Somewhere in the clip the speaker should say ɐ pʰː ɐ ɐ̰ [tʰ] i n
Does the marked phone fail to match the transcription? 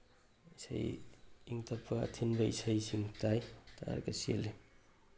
no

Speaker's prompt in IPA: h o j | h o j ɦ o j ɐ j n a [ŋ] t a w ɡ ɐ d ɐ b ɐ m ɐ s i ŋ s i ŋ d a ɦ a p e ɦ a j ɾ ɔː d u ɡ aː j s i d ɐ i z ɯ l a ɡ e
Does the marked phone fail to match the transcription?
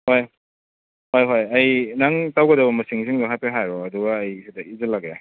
no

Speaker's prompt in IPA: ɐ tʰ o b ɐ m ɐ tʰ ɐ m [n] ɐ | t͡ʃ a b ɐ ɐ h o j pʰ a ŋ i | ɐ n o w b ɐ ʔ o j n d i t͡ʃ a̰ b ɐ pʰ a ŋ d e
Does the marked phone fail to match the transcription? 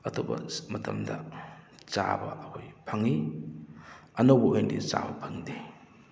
yes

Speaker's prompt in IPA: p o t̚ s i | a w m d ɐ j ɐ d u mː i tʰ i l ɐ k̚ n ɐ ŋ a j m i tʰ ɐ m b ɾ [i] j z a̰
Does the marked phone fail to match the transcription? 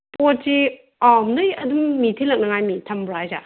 yes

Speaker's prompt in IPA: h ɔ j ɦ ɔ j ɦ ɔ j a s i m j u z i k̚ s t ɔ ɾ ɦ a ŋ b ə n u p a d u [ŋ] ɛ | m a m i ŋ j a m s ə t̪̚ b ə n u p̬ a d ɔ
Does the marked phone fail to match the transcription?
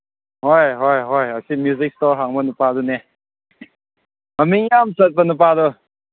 yes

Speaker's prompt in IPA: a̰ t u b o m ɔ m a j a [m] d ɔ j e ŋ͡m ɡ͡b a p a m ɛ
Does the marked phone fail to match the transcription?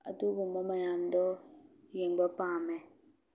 yes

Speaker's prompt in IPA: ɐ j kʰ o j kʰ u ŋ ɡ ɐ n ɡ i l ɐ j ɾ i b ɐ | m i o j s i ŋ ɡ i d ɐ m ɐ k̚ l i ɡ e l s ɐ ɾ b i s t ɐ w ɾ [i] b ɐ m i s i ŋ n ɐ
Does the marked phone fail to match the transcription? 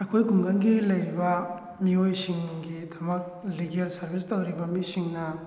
no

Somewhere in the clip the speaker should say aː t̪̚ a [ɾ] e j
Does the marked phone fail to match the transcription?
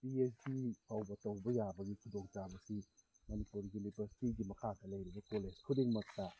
yes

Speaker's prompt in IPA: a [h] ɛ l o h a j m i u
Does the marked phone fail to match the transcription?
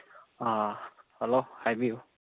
no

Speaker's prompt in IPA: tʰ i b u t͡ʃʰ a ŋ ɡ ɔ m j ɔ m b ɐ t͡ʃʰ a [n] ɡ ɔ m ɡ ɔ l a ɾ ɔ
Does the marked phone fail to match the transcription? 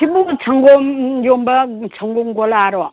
yes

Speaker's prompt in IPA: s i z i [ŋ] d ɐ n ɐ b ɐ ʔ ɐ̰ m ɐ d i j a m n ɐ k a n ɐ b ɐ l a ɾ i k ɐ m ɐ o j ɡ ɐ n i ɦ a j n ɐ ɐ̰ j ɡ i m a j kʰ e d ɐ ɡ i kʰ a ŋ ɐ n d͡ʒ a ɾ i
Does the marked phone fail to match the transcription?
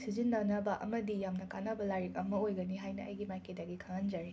yes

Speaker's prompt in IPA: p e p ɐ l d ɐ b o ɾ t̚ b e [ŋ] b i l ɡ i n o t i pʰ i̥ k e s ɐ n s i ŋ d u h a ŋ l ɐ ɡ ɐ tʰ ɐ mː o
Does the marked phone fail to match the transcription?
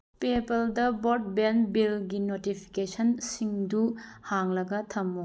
yes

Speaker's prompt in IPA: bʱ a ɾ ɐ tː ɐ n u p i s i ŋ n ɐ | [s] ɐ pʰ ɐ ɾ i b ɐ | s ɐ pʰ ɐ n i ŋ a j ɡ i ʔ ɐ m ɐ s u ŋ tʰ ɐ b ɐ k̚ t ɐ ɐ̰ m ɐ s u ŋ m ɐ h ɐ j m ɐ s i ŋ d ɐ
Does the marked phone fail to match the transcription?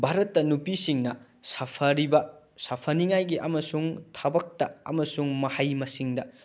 no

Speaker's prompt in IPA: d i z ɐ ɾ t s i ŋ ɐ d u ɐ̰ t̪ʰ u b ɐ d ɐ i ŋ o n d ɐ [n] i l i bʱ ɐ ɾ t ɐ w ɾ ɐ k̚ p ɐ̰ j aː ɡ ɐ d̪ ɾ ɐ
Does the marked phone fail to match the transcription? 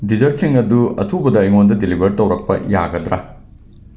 yes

